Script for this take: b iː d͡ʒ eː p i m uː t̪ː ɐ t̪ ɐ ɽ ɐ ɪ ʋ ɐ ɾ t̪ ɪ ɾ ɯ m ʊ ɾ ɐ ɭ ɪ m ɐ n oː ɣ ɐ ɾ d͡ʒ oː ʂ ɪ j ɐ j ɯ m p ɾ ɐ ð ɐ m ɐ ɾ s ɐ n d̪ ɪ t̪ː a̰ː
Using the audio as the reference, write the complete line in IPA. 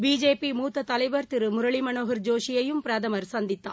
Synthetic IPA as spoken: b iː d͡ʒ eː p i m uː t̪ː ɐ t̪ ɐ l ɐ ɪ ʋ ɐ ɾ t̪ ɪ ɾ ɯ m ʊ ɾ ɐ ɭ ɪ m ɐ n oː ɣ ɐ ɾ d͡ʒ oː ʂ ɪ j ɐ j ɯ m p ɾ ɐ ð ɐ m ɐ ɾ s ɐ n d̪ ɪ t̪ː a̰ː